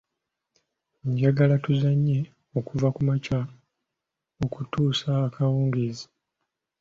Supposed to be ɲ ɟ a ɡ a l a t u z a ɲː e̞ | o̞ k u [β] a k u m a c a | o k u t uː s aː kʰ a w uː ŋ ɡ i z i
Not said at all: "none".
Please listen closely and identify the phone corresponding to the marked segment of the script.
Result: v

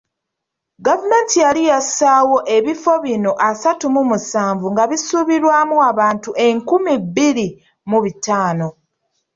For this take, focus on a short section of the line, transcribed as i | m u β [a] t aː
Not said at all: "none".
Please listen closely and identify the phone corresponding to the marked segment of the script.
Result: i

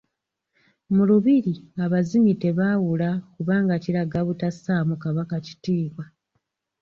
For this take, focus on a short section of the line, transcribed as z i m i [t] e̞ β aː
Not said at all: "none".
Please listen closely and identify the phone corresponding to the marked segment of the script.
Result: t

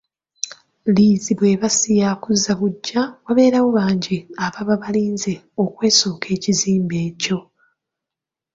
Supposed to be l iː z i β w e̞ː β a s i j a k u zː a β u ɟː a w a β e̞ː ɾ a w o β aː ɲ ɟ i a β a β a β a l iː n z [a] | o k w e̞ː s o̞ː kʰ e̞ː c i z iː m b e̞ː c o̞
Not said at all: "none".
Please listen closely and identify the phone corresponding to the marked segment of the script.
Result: e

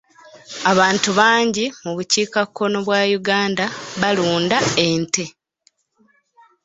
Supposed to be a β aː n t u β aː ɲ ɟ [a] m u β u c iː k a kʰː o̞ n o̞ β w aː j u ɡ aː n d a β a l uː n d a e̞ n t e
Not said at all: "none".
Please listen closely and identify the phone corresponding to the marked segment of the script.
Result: i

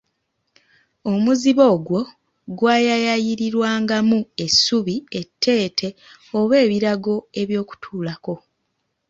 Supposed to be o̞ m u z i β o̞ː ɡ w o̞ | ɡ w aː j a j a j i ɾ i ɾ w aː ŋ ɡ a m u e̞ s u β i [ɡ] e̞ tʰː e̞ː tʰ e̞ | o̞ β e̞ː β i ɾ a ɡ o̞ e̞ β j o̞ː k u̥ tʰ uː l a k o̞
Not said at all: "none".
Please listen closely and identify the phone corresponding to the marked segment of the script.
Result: none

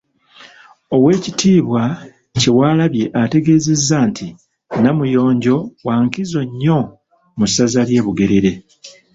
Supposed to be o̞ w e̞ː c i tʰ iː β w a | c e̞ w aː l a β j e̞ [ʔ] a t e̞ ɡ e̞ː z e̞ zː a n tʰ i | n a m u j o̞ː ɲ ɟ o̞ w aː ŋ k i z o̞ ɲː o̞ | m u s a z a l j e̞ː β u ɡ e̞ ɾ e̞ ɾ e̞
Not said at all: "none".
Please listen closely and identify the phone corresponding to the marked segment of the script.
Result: ʔ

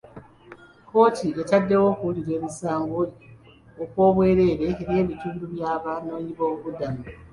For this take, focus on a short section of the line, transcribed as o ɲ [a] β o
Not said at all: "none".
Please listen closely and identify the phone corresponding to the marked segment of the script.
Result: i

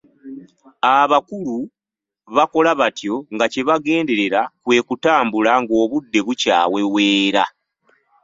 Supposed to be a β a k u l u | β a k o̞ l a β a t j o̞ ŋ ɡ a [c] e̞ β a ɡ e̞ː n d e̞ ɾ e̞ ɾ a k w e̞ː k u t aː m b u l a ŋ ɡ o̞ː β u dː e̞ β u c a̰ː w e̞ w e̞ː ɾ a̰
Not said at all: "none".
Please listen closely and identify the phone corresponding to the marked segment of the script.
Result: c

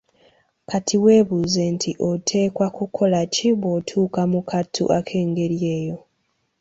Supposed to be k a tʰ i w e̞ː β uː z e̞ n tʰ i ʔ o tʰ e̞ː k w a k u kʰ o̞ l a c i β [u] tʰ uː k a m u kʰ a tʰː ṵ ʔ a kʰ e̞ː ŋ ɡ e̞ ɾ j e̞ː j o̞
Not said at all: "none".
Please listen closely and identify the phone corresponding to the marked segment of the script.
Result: o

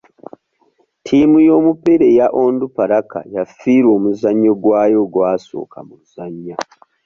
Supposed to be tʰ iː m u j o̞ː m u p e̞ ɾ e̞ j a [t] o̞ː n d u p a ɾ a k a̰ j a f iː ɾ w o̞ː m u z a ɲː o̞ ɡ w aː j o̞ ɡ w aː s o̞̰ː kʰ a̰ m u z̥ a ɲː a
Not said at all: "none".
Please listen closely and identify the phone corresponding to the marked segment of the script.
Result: ʔ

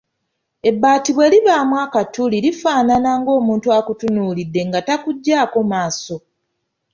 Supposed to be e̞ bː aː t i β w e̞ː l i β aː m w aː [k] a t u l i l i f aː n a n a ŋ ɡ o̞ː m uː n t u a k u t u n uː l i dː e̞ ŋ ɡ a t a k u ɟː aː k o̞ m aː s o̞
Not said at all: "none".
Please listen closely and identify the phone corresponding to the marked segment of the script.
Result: k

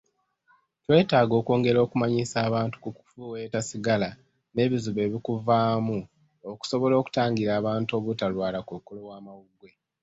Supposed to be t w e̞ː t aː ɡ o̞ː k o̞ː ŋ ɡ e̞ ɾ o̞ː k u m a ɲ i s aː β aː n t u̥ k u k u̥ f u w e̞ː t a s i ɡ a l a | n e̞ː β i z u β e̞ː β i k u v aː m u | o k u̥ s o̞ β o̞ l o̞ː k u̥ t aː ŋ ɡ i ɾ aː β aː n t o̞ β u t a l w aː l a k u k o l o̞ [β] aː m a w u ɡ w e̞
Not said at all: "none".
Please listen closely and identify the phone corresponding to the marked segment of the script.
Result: w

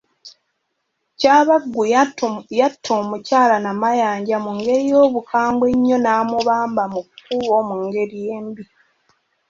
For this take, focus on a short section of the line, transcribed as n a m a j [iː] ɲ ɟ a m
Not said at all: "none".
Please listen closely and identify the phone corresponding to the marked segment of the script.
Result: aː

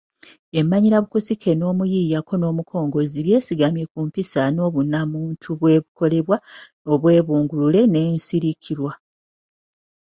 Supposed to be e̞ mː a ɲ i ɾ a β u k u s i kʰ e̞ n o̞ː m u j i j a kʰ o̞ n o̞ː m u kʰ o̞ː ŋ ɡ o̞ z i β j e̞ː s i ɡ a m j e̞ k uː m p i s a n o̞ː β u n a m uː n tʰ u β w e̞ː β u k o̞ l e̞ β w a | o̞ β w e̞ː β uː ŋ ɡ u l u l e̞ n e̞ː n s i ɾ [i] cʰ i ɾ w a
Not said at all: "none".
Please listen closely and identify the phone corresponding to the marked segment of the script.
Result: i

